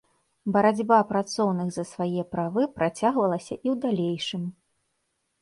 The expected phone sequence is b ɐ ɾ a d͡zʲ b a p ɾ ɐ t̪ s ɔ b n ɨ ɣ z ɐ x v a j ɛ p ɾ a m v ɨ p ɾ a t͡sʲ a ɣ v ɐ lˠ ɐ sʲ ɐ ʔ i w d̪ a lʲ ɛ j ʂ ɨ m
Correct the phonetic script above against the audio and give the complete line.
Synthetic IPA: b ɐ ɾ a d͡zʲ b a p ɾ a t̪ s ɔ w n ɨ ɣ z ɐ s v a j ɛ p ɾ a v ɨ p ɾ a t͡sʲ a ɣ v ɐ lˠ ɐ sʲ ɐ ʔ i w d̪ a lʲ e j ʂ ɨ m